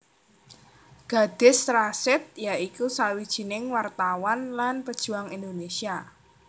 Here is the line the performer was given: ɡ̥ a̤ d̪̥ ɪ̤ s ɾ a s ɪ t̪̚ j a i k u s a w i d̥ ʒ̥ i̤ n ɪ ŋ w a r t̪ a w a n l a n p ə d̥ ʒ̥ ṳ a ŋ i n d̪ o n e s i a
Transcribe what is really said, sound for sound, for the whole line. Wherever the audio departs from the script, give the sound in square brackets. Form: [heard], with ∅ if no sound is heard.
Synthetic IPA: ɡ̥ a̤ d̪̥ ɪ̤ s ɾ a s ɪ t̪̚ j a i k u s a w i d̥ ʒ̥ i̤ n ɪ ŋ w a r t̪ a w a n l a n p ə d̥ ʒ̥ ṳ a ŋ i n d̪ o n e s i a